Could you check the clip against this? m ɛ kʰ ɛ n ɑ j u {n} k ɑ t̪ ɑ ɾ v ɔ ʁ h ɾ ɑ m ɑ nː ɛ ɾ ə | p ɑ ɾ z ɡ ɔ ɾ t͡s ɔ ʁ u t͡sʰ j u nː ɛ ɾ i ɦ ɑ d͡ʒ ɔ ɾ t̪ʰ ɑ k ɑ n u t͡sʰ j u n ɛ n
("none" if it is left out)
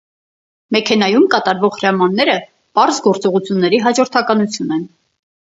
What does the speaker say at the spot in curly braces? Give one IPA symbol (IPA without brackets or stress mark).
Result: m